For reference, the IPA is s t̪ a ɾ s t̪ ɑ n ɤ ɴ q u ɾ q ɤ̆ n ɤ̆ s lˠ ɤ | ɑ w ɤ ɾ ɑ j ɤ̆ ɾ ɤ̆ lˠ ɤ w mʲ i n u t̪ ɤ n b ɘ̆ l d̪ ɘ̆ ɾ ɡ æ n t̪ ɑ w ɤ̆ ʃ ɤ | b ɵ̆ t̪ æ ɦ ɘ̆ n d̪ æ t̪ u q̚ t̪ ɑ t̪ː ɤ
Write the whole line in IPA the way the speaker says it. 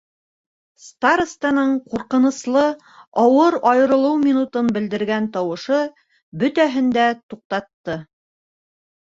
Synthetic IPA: s t̪ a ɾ s t̪ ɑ n ɤ ɴ q u ɾ q ɤ̆ n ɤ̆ s lˠ ɤ | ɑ w ɤ ɾ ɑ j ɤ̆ ɾ ɤ̆ lˠ ɤ w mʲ i n u t̪ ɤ n b ɘ̆ l d̪ ɘ̆ ɾ ɡ æ n t̪ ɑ w ɤ̆ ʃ ɤ | b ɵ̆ t̪ æ ɦ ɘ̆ n d̪ æ t̪ u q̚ t̪ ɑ t̪ː ɤ